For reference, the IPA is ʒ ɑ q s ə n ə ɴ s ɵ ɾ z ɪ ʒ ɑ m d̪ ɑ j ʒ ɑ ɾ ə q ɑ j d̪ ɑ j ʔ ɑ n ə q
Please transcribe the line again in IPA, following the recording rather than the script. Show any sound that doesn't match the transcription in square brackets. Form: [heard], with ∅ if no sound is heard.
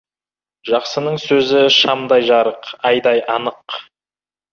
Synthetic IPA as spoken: ʒ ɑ q s ə n ə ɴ s ɵ [∅] z ɪ [ʃ] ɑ m d̪ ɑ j ʒ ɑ ɾ ə q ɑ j d̪ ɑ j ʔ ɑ n ə q

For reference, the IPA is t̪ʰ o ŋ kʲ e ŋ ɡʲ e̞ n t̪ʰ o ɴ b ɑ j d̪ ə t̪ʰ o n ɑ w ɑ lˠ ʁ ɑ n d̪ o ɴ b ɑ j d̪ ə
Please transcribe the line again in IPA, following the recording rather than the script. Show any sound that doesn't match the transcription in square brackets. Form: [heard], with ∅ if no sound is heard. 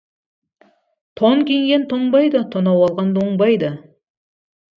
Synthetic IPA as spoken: t̪ʰ o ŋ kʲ e ŋ ɡʲ e̞ n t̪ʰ o ɴ b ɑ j d̪ ə t̪ʰ o n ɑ w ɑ lˠ ʁ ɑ n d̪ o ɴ b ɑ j d̪ ə

